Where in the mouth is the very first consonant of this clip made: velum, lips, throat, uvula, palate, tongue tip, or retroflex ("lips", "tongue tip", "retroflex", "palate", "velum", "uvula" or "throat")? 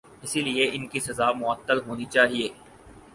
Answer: tongue tip